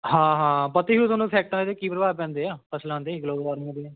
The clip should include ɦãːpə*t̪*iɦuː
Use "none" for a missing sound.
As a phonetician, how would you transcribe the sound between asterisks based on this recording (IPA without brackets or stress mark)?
t̪